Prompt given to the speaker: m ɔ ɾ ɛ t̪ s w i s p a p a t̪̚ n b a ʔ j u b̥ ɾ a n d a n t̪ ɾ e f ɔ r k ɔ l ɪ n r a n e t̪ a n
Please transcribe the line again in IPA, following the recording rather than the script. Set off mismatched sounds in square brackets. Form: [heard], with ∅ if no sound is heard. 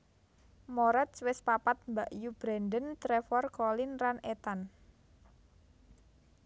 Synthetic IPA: m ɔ ɾ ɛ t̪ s w [ɪ] s p a p a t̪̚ [m] b a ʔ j u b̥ ɾ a n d [ə] n t̪ ɾ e f ɔ r k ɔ l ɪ n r a n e t̪ a n